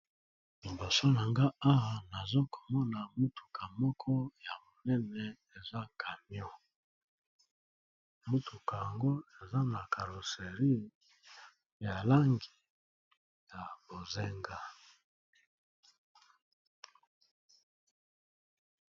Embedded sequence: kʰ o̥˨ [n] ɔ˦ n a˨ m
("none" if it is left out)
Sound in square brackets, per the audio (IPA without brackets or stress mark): m